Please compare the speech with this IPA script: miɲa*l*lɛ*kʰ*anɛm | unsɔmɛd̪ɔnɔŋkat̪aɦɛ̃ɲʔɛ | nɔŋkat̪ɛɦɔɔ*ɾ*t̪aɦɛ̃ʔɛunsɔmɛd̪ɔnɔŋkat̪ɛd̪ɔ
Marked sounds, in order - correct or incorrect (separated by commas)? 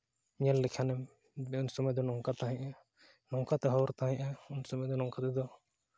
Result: correct, correct, correct